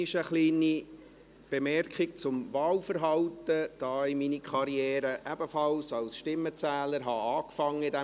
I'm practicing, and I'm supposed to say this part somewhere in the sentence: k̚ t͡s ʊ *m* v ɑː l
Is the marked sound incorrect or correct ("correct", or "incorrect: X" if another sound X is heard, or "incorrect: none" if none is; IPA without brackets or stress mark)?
correct